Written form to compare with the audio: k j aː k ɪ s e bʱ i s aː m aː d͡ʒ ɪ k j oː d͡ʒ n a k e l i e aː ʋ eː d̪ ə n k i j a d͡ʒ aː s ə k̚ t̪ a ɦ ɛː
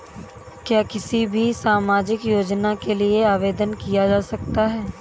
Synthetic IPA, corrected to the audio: k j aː k ɪ s i bʱ i s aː m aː d͡ʒ ɪ k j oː d͡ʒ n a k e l i e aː ʋ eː d̪ ə n k i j a d͡ʒ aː s ɐ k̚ t̪ a ɦ ɛː